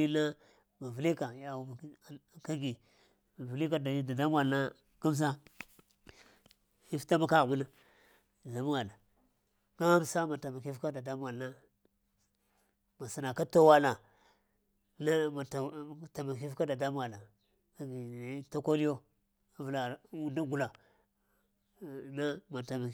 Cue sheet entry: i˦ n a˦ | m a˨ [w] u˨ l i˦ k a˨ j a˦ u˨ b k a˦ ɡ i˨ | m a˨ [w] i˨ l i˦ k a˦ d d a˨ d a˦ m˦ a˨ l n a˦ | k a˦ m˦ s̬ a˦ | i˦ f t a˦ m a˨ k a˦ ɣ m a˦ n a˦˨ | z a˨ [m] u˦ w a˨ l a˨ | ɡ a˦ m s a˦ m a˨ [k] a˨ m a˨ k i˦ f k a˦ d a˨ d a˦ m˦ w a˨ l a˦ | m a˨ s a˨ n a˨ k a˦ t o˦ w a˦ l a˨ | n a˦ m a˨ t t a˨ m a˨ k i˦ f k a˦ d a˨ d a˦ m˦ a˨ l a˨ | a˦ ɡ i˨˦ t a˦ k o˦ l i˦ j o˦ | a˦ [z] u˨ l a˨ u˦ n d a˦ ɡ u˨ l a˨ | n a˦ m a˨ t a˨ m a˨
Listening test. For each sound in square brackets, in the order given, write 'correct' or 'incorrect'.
incorrect: v, incorrect: v, correct, incorrect: t, incorrect: v

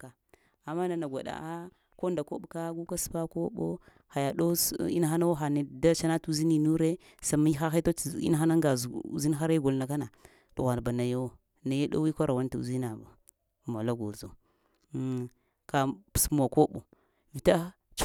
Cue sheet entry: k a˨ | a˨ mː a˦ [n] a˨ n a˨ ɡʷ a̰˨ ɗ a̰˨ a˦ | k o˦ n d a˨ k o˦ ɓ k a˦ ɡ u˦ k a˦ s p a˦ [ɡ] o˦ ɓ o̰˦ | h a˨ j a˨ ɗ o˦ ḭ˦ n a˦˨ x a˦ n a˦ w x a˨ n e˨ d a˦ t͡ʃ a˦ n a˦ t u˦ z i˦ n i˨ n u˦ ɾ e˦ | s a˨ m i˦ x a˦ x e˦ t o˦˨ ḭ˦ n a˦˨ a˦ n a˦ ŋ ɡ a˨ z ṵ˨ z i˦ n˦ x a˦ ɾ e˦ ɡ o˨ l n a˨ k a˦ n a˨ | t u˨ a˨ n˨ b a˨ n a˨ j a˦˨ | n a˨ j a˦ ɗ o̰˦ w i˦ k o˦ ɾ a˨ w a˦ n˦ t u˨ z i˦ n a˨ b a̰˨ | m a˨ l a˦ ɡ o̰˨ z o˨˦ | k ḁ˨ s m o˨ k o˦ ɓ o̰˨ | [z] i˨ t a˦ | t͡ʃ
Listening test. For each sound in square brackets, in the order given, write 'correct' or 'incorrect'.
correct, incorrect: k, incorrect: v

